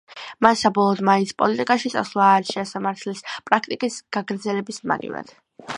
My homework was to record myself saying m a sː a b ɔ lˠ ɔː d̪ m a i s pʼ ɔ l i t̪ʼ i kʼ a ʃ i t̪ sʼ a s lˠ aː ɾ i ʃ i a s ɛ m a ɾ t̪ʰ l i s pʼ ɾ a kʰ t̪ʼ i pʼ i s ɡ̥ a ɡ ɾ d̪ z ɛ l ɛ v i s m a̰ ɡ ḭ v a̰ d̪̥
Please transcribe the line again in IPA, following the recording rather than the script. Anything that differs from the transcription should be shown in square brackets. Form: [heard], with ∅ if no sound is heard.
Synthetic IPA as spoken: m a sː a b ɔ lˠ ɔː d̪ m a i s pʼ ɔ l i t̪ʼ i kʼ a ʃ i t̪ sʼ a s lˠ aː ɾ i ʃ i a s [a] m a ɾ t̪ʰ l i s pʼ ɾ a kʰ t̪ʼ i [kʼ] i s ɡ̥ a ɡ ɾ d̪ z ɛ l ɛ [b] i s m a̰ ɡ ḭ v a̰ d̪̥

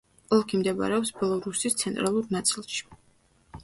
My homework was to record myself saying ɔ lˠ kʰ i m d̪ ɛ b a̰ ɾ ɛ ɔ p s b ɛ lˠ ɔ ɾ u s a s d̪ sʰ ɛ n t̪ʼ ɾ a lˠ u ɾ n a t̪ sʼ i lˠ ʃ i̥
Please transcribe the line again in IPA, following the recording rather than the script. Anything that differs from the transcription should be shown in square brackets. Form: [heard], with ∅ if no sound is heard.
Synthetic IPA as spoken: ɔ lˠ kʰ i m d̪ ɛ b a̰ ɾ ɛ ɔ p s b ɛ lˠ ɔ ɾ u s [i] s [t̪] sʰ ɛ n t̪ʼ ɾ a lˠ u ɾ n a t̪ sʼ i lˠ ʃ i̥

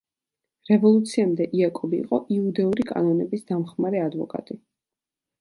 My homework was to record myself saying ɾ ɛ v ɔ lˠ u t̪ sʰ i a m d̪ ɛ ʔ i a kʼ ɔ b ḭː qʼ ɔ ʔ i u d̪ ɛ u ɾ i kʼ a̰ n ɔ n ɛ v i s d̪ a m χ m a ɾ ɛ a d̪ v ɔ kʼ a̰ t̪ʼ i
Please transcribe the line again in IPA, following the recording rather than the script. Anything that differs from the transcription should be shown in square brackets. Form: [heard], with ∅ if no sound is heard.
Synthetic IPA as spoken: ɾ ɛ v ɔ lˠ u t̪ sʰ i a m d̪ ɛ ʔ i a kʼ ɔ b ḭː qʼ ɔ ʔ i u d̪ ɛ u ɾ i kʼ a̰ n ɔ n ɛ [b] i s d̪ a m χ m a ɾ ɛ a d̪ v ɔ kʼ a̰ t̪ʼ i

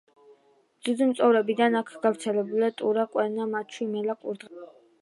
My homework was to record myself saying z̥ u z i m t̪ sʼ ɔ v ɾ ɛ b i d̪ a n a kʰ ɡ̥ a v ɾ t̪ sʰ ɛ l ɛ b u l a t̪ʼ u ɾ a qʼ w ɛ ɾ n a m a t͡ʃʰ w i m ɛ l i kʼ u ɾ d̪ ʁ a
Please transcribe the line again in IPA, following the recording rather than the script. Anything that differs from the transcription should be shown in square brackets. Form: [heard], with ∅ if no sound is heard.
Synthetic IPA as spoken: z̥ u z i m t̪ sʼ ɔ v ɾ ɛ b i d̪ a n a kʰ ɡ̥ a v ɾ t̪ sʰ ɛ l ɛ b u l a t̪ʼ u ɾ a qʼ w ɛ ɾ n a m a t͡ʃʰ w i m ɛ l [a] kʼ u ɾ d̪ ʁ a

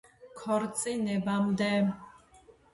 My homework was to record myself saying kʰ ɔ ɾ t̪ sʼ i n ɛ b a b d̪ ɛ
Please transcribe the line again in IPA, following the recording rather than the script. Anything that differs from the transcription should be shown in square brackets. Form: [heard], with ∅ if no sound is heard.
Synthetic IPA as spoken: kʰ ɔ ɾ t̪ sʼ i n ɛ b a [m] d̪ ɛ

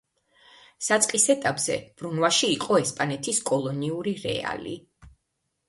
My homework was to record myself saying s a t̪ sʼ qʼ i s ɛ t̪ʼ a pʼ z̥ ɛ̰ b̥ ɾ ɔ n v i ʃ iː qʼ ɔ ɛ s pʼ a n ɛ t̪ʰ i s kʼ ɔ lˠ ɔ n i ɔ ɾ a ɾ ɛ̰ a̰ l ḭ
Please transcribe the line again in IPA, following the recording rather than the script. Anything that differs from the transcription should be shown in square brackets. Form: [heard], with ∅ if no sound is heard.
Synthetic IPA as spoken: s a t̪ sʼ qʼ i s ɛ t̪ʼ a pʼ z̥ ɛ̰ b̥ ɾ [u] n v [a] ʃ iː qʼ ɔ ɛ s pʼ a n ɛ t̪ʰ i s kʼ ɔ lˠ ɔ n i [u] ɾ [i] ɾ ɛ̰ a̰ l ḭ

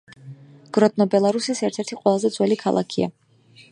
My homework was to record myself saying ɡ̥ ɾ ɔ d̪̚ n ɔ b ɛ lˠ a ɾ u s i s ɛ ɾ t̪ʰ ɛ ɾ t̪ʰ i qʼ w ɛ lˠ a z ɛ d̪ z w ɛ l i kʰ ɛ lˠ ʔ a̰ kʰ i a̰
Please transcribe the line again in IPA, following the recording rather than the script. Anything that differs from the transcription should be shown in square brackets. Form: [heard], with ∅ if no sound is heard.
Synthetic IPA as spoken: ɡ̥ ɾ ɔ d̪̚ n ɔ b ɛ lˠ a ɾ u s i s ɛ ɾ t̪ʰ ɛ ɾ t̪ʰ i qʼ w ɛ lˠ a z ɛ d̪ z w ɛ l i kʰ [a] lˠ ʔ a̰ kʰ i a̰

